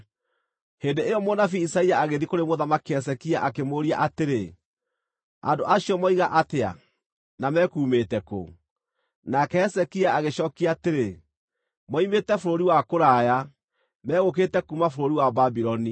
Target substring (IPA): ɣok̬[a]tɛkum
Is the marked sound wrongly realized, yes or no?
yes